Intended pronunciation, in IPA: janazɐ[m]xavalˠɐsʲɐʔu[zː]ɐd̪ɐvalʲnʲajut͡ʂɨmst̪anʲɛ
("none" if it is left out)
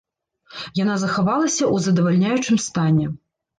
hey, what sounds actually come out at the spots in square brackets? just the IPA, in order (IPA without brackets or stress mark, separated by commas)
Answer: none, z